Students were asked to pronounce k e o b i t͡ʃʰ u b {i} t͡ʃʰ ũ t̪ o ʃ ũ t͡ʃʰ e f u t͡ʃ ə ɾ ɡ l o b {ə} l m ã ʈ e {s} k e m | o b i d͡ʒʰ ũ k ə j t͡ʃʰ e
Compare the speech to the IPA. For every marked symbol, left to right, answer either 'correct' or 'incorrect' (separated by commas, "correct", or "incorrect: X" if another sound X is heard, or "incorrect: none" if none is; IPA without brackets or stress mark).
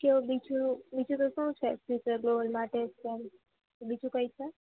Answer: correct, correct, correct